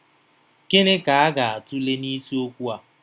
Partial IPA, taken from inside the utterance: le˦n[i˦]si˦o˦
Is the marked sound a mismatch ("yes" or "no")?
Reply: no